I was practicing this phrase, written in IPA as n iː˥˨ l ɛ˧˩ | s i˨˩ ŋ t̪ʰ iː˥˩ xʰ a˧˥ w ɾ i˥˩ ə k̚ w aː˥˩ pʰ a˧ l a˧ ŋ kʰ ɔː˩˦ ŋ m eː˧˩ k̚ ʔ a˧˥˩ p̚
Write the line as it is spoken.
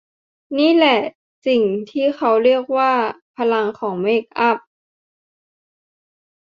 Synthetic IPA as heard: n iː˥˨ l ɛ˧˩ | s i˨˩ ŋ t̪ʰ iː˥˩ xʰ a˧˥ w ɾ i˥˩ ə k̚ w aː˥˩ pʰ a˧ l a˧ ŋ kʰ ɔː˩˦ ŋ m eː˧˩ k̚ ʔ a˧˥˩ p̚